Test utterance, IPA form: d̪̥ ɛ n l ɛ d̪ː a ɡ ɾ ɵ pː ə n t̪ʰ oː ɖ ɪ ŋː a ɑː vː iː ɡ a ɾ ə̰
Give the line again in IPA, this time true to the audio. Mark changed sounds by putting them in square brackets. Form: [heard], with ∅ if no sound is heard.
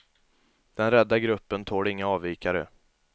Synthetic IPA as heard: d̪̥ ɛ n [ɾ] ɛ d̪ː a ɡ ɾ ɵ pː ə n t̪ʰ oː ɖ ɪ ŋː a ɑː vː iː [k] a ɾ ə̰